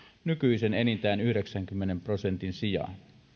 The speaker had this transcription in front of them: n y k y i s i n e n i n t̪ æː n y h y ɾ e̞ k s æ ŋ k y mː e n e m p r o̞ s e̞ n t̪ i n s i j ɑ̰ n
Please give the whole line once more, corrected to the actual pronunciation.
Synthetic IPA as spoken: n y k y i s e n e n i n t̪ æː n y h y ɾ e̞ k s æ ŋ k y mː e n e m p r o̞ s e̞ n t̪ i n s i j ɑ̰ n